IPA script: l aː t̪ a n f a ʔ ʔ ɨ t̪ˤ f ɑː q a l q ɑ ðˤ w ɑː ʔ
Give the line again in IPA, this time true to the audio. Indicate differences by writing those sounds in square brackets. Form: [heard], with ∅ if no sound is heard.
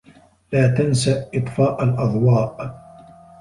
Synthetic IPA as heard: l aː t̪ a n [s] a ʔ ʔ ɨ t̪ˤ f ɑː [ʔ] a l [ʔ] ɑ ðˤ w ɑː ʔ